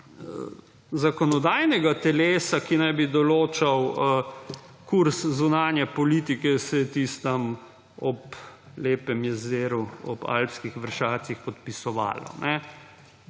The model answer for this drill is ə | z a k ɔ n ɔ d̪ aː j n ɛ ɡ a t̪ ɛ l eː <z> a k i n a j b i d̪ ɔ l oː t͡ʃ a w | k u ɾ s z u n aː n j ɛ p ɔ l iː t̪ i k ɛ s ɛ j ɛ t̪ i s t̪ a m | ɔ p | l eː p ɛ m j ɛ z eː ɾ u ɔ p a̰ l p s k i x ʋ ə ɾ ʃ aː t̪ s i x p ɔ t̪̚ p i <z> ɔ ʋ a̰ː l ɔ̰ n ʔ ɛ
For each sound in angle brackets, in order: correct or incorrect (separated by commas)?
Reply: incorrect, incorrect